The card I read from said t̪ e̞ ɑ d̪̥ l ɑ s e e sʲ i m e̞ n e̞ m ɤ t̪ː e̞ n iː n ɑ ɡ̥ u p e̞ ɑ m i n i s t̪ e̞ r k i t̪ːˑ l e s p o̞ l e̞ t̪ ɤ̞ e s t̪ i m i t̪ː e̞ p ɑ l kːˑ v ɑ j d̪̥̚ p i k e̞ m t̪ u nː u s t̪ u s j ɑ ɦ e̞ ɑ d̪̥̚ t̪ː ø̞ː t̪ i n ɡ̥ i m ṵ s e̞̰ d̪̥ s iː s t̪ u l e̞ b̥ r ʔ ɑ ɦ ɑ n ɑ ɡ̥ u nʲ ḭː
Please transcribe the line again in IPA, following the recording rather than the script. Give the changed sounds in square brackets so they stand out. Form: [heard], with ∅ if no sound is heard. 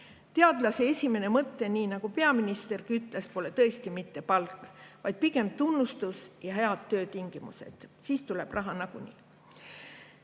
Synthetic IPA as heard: t̪ e̞ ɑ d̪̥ l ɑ s e e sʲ i m e̞ n e̞ m ɤ t̪ː e̞ n iː n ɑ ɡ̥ u p e̞ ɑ m i n i s t̪ e̞ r k [y] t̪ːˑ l e s p o̞ l e̞ t̪ ɤ̞ e s t̪ i m i t̪ː e̞ p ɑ l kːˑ v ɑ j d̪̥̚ p i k e̞ m t̪ u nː u s t̪ u s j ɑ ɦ e̞ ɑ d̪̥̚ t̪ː ø̞ː t̪ i [ŋ] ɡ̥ i m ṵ s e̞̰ d̪̥ s iː s t̪ u l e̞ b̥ r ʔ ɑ ɦ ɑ n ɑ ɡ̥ u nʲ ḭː